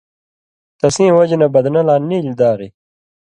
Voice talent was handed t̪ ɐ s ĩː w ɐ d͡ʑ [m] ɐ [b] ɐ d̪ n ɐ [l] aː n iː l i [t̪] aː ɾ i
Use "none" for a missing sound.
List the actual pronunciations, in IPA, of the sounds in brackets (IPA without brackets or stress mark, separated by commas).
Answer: n, b, l, d̪